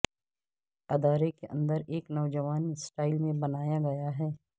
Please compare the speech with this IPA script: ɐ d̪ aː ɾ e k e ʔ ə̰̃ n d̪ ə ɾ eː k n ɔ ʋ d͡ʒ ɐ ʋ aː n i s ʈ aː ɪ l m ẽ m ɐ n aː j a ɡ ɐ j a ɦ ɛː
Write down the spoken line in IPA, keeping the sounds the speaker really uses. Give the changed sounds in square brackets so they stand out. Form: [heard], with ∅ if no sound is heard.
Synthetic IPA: ɐ d̪ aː ɾ e k e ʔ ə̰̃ n d̪ ə ɾ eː k n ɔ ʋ d͡ʒ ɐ ʋ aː n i s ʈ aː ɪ l m ẽ [b] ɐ n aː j a ɡ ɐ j a ɦ ɛː